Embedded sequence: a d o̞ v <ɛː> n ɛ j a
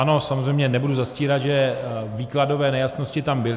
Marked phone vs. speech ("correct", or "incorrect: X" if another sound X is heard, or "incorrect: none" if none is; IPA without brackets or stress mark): correct